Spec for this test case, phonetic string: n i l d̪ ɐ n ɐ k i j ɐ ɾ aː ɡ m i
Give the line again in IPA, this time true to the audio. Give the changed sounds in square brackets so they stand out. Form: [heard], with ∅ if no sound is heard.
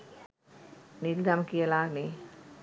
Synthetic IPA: n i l d̪ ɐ [m] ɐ k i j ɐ [l] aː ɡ [n] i